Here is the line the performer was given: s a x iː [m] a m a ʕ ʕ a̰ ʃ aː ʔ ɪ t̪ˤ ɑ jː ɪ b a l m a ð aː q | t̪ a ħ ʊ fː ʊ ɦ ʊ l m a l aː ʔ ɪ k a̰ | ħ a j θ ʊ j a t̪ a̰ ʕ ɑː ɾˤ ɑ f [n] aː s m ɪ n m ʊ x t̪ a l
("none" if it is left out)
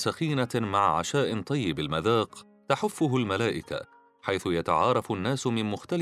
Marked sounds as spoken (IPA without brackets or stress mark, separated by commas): n, nː